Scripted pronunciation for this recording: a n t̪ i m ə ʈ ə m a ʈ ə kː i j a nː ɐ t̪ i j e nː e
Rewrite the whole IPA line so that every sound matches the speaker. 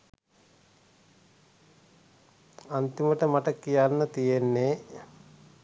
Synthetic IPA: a n t̪ i m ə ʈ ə m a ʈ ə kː i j a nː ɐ t̪ i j e nː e